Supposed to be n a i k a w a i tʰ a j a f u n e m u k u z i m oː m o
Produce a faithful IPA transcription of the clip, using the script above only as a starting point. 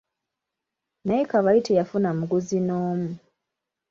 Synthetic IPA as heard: n a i k a β a i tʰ e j a f u n a m u ɡ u z i n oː m u